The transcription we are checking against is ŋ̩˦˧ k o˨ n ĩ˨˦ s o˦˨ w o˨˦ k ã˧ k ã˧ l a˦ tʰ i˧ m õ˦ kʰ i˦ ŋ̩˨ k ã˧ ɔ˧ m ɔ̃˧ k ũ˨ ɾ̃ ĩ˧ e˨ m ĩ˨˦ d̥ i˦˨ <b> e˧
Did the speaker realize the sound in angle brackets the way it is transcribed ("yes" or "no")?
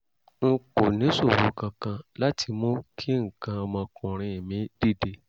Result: no